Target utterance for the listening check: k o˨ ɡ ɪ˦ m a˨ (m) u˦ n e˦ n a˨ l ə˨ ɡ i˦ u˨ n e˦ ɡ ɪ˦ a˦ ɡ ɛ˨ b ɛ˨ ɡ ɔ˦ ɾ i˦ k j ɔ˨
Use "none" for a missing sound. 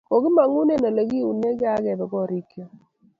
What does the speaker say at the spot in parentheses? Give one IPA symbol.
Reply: ŋ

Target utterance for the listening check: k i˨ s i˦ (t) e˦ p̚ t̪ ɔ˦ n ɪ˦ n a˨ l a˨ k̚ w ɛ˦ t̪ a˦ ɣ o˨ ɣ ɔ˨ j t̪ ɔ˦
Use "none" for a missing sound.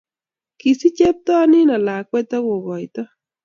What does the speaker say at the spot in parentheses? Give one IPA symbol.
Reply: t͡ʃ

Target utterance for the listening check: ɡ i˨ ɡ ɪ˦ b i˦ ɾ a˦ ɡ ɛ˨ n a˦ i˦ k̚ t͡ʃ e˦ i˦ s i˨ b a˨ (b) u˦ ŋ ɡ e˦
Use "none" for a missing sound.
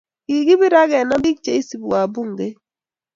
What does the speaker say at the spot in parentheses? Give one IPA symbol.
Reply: b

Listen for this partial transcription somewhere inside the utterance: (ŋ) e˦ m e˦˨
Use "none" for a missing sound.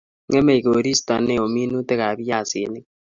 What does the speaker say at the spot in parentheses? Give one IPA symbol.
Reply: ŋ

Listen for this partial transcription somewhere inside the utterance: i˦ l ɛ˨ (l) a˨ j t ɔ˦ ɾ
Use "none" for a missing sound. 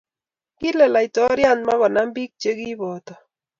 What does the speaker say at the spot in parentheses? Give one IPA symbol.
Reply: l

